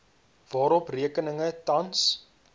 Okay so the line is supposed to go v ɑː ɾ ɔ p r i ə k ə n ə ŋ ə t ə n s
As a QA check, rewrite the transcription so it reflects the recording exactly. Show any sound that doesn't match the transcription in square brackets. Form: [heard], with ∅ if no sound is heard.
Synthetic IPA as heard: v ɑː ɾ ɔ p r i ə k ə n ə ŋ ə t [ɐ] n s